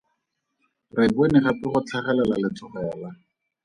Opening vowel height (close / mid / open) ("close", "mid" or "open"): close